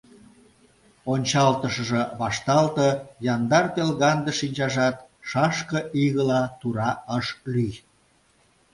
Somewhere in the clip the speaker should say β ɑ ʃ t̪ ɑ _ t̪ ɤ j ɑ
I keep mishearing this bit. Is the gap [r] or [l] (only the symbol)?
l